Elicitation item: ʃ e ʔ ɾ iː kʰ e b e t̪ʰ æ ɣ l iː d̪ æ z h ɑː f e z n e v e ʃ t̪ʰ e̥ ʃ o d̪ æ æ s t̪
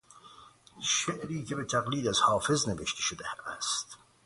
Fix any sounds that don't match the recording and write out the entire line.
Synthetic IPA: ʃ e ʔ ɾ iː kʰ e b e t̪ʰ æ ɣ l iː d̪ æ z h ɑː f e z n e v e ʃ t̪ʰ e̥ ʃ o d̪ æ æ s t̪